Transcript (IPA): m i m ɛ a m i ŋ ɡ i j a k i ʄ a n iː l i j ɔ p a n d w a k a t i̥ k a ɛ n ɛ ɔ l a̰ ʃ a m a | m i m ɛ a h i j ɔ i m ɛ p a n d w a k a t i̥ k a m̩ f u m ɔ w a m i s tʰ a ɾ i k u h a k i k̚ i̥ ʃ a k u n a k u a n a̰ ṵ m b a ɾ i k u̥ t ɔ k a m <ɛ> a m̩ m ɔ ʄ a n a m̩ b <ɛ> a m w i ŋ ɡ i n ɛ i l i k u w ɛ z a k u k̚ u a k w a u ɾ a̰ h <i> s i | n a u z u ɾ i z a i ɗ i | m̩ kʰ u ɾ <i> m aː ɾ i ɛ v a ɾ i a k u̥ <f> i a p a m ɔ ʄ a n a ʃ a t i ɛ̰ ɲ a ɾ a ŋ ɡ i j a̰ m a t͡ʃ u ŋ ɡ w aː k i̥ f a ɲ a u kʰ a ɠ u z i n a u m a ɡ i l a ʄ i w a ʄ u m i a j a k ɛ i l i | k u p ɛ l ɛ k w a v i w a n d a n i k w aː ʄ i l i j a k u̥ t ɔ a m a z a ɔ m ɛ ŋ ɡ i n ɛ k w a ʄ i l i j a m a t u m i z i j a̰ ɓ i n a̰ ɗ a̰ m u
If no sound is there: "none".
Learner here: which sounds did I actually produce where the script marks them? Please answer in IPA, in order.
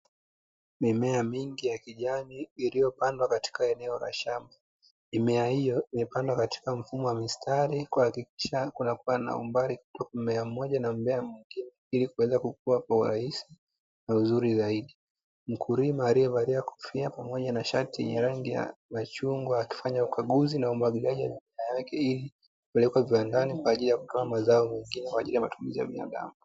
ɛ, ɛ, i, i, f

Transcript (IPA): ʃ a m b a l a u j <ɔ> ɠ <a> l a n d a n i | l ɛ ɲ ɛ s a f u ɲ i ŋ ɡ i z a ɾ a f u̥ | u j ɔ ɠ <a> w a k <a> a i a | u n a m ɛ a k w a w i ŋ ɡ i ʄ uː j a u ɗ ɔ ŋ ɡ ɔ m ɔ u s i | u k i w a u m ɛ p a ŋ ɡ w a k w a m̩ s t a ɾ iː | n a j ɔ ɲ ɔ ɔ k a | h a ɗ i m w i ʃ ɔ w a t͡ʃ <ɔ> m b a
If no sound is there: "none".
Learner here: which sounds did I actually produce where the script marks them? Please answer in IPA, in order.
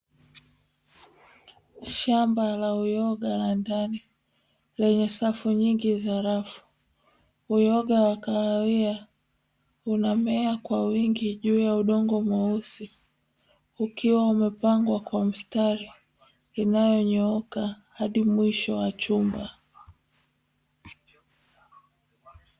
ɔ, a, a, a, u

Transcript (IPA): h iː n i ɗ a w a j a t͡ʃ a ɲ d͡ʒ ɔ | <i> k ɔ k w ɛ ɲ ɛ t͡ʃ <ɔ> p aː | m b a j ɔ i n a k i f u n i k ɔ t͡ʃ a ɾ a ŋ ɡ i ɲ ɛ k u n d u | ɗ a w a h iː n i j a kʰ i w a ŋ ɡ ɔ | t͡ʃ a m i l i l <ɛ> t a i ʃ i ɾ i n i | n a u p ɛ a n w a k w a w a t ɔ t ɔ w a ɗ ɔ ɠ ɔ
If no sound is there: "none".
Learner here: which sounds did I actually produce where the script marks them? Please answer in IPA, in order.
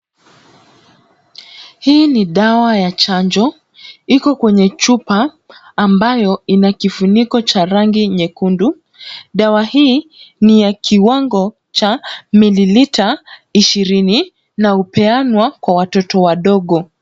i, u, i

